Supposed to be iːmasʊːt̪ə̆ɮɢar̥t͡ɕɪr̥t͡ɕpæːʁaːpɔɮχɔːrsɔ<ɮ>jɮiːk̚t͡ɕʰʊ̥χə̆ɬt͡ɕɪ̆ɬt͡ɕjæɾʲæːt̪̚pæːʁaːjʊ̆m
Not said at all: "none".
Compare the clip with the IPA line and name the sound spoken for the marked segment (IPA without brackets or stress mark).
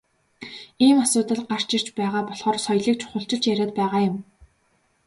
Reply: none